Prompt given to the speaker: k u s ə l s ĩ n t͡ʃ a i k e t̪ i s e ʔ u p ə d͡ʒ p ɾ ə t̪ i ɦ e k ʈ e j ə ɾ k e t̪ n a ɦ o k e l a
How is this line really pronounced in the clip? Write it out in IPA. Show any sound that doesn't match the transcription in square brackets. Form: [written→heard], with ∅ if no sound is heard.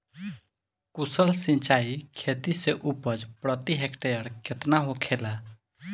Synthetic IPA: k u s ə l s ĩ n t͡ʃ a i [k→kʰ] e t̪ i s e ʔ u p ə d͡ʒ p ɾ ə t̪ i ɦ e k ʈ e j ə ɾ k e t̪ n a ɦ o [k→kʰ] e l a